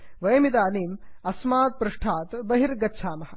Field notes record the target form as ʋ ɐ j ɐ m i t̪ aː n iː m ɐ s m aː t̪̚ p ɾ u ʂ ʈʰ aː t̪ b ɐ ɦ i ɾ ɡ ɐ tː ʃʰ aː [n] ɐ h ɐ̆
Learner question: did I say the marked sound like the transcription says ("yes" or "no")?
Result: no